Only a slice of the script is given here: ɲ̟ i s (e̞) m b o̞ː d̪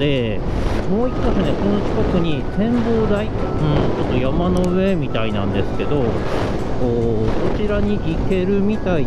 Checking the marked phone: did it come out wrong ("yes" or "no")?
yes